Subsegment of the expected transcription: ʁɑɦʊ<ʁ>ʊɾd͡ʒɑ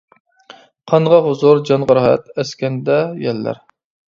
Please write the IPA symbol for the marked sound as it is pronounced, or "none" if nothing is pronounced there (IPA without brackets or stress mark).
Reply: z